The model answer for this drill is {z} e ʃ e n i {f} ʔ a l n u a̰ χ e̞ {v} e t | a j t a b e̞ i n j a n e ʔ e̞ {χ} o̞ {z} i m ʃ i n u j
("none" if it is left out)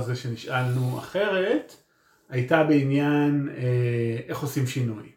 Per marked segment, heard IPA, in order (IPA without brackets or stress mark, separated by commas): z, ʃ, ʁ, χ, s